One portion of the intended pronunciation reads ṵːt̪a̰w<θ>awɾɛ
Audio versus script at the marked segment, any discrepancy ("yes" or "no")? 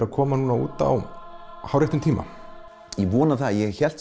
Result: yes